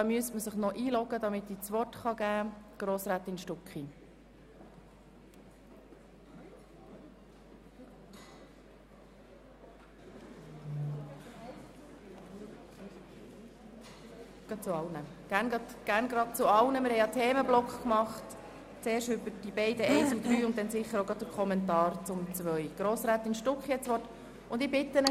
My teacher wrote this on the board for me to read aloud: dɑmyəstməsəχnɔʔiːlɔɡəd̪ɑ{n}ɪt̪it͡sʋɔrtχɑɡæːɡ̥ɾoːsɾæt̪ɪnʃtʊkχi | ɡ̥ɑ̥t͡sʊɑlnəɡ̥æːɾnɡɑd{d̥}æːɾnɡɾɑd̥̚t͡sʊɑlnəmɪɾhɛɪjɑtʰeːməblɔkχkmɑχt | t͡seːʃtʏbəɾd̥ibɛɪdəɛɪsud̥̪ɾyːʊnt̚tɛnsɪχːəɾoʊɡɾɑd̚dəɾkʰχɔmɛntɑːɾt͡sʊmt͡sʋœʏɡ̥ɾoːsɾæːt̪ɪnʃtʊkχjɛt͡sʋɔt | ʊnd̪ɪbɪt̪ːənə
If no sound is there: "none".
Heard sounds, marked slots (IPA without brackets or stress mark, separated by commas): m, ɡ̥